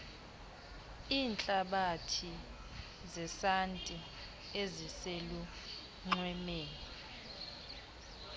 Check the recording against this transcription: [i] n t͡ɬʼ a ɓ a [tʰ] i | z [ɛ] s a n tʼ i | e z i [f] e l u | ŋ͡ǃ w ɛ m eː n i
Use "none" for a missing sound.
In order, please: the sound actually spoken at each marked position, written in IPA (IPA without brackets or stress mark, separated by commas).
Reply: iː, tʰ, ɛ, s